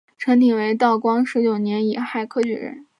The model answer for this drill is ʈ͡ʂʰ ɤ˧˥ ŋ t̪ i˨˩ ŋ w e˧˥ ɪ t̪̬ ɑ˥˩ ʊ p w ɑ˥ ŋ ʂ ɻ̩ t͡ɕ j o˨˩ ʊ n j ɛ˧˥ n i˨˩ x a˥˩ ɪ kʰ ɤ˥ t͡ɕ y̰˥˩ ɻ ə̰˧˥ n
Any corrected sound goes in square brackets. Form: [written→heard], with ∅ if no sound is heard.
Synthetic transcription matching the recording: ʈ͡ʂʰ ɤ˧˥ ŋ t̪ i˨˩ ŋ w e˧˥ ɪ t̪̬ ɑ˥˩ ʊ [p→k] w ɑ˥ ŋ ʂ ɻ̩ t͡ɕ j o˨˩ ʊ n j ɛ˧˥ n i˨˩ x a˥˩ ɪ kʰ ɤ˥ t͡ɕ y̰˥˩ ɻ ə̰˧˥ n